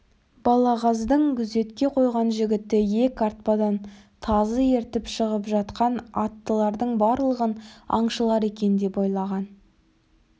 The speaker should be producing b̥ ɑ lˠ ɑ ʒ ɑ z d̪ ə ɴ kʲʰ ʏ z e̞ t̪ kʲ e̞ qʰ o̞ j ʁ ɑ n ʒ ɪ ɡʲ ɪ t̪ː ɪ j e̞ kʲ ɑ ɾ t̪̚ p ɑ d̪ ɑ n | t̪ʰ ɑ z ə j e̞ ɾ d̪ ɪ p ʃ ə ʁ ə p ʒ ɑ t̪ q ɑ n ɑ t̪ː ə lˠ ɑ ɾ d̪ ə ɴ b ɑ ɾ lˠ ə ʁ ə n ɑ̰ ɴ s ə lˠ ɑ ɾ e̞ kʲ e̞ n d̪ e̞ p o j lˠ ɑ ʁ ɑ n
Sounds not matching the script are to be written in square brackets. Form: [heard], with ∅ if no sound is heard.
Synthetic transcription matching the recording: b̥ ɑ lˠ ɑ [ʁ] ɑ z d̪ ə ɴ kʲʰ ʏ z e̞ t̪ kʲ e̞ qʰ o̞ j ʁ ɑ n ʒ ɪ ɡʲ ɪ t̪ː ɪ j e̞ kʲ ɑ ɾ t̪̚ p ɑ d̪ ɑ n | t̪ʰ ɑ z ə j e̞ ɾ [t̪] ɪ p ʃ ə ʁ ə p ʒ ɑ t̪ q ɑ n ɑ t̪ː ə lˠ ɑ ɾ d̪ ə ɴ b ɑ ɾ lˠ ə ʁ ə n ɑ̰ ɴ [ʃ] ə lˠ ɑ ɾ e̞ kʲ e̞ n d̪ e̞ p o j lˠ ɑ ʁ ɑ n